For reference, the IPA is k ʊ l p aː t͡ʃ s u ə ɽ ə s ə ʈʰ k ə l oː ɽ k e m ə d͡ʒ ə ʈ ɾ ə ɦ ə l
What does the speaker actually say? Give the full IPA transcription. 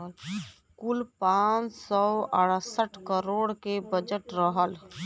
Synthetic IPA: k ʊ l p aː t͡ʃ s ɔ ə ɽ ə s ə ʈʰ k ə ɾ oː ɽ k e b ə d͡ʒ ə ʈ ɾ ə ɦ ə l